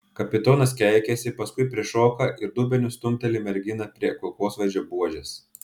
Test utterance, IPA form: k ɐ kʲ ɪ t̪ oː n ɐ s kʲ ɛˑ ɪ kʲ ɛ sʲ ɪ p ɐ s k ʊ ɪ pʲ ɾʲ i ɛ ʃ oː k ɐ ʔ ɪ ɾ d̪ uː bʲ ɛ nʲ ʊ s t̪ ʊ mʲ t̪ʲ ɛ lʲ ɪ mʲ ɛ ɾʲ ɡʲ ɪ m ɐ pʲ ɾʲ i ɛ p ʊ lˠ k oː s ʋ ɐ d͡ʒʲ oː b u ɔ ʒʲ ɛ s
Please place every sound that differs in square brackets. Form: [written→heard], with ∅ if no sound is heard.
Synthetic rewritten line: k ɐ [kʲ→pʲ] ɪ t̪ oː n ɐ s kʲ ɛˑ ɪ kʲ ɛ sʲ ɪ p ɐ s k ʊ ɪ pʲ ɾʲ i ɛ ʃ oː k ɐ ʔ ɪ ɾ d̪ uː bʲ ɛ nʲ ʊ s t̪ ʊ mʲ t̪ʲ ɛ lʲ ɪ mʲ ɛ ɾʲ ɡʲ ɪ [m→n] ɐ pʲ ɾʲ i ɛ [p→k] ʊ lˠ k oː s ʋ ɐ d͡ʒʲ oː b u ɔ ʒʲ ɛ s